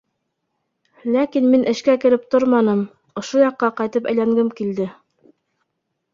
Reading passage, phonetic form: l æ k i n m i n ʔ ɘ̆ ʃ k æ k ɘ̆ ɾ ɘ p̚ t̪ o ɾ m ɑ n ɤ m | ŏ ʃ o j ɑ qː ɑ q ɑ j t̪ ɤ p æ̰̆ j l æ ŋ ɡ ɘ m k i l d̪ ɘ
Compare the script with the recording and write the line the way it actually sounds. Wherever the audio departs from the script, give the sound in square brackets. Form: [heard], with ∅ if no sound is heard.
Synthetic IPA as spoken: l æ k i n m i n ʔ ɘ̆ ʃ k æ k ɘ̆ ɾ ɘ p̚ t̪ o ɾ m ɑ n ɤ m | ŏ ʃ o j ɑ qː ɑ q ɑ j t̪ ɤ p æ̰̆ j l æ ŋ ɡ ɘ m k i l d̪ ɘ